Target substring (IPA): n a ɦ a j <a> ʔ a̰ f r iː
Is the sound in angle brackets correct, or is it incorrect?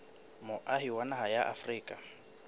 correct